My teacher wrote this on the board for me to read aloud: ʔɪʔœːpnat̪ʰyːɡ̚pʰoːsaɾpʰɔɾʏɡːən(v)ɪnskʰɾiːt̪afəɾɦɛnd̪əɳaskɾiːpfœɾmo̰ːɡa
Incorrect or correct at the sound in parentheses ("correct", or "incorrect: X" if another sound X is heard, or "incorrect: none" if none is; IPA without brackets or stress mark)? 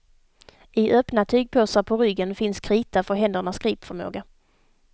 incorrect: f